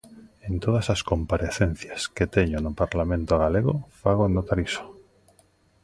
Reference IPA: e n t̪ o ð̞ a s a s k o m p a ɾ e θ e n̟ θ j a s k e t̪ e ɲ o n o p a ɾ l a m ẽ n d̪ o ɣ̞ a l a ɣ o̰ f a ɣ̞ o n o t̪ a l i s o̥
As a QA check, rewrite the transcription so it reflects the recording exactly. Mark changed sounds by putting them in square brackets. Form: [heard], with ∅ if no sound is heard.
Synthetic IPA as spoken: e n t̪ o ð̞ a s a s k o m p a ɾ e θ e n̟ θ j a s k e t̪ e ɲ o n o p a ɾ l a m ẽ n [t̪] o ɣ̞ a l [e] ɣ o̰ f a ɣ̞ o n o t̪ a [ɾ] i s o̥

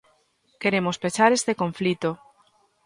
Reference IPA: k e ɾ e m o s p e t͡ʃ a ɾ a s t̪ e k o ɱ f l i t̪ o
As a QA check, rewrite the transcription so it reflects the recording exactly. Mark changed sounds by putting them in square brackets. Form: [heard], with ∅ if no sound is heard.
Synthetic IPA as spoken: k e ɾ e m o s p e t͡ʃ a ɾ [e] s t̪ e k o ɱ f l i t̪ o

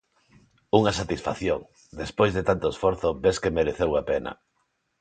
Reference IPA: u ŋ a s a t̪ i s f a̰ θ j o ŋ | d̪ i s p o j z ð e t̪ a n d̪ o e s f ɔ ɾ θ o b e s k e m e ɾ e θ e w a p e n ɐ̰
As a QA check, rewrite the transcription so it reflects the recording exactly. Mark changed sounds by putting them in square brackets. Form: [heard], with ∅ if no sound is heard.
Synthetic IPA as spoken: u ŋ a s a t̪ i s f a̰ θ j o ŋ | d̪ [e] s p o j z ð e t̪ a n [t̪] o e s f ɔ ɾ θ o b e s k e m e ɾ e θ e w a p e n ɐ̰

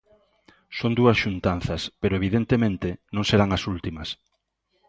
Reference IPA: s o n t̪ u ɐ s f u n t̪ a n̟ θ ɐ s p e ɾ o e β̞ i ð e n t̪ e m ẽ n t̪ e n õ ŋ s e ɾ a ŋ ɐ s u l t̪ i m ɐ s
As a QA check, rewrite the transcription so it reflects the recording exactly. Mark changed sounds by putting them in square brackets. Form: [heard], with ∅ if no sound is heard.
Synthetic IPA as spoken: s o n [d̪] u ɐ s [ʃ] u n t̪ a n̟ θ ɐ s p e ɾ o e β̞ i ð e n t̪ e m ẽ n t̪ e n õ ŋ s e ɾ a ŋ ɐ s u l t̪ i m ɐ s

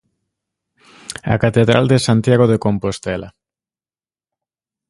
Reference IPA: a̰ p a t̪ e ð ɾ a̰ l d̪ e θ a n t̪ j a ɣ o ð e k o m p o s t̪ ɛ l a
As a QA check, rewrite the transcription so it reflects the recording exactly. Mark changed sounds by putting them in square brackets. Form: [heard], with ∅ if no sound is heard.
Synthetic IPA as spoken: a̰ [k] a t̪ e ð ɾ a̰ l d̪ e [s] a n t̪ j a ɣ o ð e k o m p o s t̪ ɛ l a

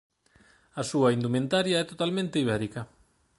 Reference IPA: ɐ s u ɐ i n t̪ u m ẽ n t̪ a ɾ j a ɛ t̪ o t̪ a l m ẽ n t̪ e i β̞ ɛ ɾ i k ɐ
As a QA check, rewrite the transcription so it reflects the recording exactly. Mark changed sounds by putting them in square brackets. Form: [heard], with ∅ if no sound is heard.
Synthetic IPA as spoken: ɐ s u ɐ i n [d̪] u m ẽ n t̪ a ɾ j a ɛ t̪ o t̪ a l m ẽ n t̪ e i β̞ ɛ ɾ i k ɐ

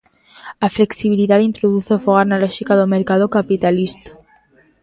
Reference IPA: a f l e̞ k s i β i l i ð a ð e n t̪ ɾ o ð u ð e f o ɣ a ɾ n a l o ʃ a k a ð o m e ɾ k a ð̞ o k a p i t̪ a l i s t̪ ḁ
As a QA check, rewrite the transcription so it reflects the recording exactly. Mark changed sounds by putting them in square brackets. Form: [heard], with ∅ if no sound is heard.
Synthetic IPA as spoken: a f l e̞ k s i β i l i ð a ð [i] n t̪ ɾ o ð u [θ] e f o ɣ a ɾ n a l o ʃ [i] k a ð o m e ɾ k a ð̞ o k a p i t̪ a l i s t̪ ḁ

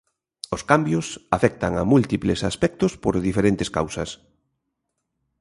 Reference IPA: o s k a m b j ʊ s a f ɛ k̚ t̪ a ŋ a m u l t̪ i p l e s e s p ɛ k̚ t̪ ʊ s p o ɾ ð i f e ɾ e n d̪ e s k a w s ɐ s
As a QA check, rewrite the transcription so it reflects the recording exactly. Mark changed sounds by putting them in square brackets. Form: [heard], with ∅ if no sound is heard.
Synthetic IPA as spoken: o s k a m b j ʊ s a f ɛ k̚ t̪ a ŋ a m u l t̪ i p l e s [a] s p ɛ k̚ t̪ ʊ s p o ɾ ð i f e ɾ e n [t̪] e s k a w s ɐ s

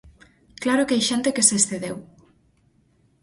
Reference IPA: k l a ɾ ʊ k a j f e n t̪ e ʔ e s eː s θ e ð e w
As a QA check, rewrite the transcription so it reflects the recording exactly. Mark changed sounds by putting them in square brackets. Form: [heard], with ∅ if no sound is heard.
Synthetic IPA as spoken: k l a ɾ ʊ k a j [ʃ] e n t̪ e [k] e s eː s θ e ð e w

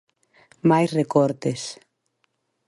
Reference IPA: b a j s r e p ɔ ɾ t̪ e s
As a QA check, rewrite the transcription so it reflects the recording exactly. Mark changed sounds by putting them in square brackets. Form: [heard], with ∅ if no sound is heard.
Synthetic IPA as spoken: [m] a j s r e [k] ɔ ɾ t̪ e s

